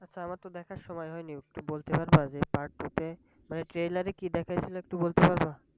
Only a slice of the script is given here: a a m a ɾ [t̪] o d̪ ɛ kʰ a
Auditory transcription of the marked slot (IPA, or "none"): t̪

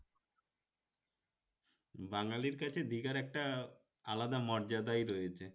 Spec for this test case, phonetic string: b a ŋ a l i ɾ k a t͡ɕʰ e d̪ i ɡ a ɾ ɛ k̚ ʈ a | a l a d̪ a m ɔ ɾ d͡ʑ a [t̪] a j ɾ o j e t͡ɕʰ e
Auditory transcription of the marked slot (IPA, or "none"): d̪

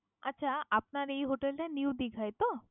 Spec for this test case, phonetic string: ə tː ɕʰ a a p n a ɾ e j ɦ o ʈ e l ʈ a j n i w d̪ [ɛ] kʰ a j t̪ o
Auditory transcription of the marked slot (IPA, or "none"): i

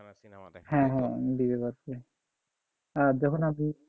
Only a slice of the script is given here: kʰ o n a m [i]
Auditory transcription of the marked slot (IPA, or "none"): i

